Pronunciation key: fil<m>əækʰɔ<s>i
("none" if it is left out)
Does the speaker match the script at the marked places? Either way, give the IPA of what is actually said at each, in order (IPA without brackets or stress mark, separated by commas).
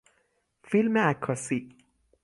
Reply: m, s